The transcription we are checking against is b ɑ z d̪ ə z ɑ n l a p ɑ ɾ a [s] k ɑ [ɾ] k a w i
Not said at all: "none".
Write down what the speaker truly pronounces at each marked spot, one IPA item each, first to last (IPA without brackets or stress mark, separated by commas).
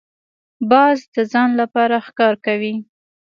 x, ɾ